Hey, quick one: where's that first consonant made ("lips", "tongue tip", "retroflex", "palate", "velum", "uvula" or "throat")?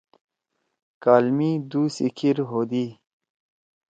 velum